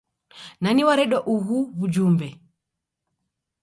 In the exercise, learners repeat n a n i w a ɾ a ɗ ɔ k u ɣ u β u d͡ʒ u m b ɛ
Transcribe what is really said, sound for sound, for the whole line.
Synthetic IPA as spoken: n a n i w a ɾ ɛ ɗ ɔ ʔ u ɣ u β u d͡ʒ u m b ɛ